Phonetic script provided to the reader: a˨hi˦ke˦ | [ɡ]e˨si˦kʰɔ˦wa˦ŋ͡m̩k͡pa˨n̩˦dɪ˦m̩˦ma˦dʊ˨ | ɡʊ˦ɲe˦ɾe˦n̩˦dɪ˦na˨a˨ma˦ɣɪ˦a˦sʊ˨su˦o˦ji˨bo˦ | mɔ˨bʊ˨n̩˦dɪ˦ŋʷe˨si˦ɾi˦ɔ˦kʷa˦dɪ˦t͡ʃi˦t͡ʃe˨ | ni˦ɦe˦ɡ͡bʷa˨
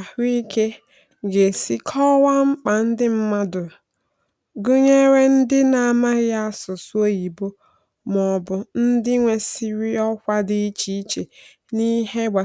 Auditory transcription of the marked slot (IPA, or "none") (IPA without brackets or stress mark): ɡ